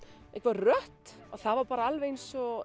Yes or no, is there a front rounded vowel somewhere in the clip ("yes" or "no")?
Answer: yes